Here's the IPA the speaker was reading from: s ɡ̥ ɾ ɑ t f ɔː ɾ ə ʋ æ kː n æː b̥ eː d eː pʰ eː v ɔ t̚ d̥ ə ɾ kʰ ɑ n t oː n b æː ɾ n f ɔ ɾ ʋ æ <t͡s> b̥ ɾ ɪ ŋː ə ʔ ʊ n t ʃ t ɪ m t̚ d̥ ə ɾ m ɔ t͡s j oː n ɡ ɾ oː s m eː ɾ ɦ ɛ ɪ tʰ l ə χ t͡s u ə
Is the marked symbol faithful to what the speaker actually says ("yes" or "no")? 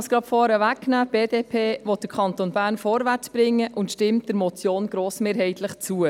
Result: yes